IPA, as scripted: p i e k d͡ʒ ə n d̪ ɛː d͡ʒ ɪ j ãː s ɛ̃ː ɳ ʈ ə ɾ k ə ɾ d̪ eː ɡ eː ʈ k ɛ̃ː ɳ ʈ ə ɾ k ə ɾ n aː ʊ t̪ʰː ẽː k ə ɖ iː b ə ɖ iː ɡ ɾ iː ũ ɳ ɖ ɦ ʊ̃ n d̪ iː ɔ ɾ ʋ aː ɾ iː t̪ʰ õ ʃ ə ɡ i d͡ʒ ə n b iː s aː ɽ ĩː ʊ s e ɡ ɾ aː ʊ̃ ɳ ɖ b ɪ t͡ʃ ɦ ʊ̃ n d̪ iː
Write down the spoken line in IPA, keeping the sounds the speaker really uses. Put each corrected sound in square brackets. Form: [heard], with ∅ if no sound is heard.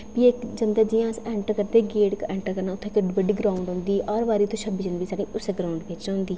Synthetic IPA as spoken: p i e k d͡ʒ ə n d̪ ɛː d͡ʒ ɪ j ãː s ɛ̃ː ɳ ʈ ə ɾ k ə ɾ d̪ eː ɡ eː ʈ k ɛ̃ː ɳ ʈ ə ɾ k ə ɾ n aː ʊ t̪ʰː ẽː k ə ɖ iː b ə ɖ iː ɡ ɾ [aː] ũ ɳ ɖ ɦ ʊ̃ n d̪ iː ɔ ɾ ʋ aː ɾ iː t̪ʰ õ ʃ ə [b] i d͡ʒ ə n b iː s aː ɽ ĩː ʊ s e ɡ ɾ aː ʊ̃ ɳ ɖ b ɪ t͡ʃ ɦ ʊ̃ n d̪ iː